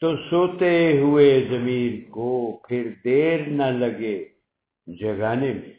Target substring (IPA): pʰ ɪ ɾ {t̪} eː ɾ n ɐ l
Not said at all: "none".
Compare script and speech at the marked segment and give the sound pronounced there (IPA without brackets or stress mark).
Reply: d̪